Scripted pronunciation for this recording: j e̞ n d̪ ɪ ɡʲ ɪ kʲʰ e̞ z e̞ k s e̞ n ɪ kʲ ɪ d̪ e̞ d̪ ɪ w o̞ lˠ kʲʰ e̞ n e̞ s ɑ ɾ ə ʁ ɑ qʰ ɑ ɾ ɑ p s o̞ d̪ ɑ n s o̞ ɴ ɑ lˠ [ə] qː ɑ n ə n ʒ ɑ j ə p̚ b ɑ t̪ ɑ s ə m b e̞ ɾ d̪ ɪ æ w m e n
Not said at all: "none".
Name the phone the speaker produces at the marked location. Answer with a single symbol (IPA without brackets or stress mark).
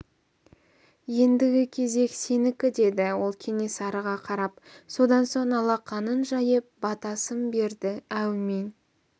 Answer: ɑ